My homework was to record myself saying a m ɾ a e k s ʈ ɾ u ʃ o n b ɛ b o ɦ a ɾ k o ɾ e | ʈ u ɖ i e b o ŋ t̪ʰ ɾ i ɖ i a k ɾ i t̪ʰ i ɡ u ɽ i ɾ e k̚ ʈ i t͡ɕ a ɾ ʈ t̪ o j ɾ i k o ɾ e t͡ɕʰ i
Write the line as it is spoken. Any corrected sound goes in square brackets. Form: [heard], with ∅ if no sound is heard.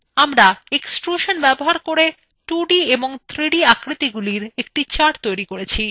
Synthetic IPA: a m ɾ a e k s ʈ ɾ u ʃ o n b ɛ b o ɦ a ɾ k o ɾ e | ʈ u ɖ i e b o ŋ t̪ʰ ɾ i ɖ i a k ɾ i [t̪] i ɡ u [l] i ɾ e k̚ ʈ i t͡ɕ a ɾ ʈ t̪ o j ɾ i k o ɾ e t͡ɕʰ i